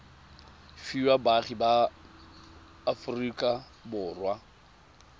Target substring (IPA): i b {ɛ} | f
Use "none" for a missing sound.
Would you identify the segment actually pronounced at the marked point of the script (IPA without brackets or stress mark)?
a